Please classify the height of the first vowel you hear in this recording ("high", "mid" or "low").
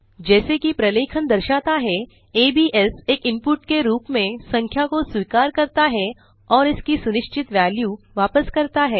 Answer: mid